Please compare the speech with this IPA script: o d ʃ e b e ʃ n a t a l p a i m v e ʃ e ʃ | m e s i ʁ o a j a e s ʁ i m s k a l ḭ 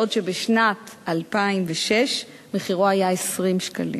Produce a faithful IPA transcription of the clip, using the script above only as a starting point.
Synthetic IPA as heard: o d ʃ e b e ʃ n a t a l p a i m v e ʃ e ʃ | m e χ i ʁ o a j a e s ʁ i m ʃ k a l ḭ